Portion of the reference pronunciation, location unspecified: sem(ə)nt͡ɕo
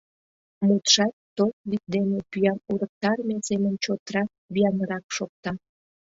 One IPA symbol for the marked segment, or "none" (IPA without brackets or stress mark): ə